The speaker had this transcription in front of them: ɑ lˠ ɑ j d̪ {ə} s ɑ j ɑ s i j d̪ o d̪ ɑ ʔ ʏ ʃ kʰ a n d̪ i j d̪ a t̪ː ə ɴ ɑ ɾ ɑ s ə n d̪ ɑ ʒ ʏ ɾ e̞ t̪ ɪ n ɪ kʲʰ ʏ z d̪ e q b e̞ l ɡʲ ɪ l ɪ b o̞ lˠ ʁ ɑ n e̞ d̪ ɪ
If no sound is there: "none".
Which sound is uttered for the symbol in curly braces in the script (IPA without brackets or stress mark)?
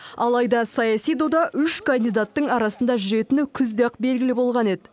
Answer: ɑ